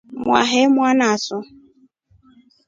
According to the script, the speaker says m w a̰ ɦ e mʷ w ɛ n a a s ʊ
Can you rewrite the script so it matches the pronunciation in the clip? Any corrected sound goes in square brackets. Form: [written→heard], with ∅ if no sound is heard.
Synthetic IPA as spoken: m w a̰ ɦ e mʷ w [ɛ→a] n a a s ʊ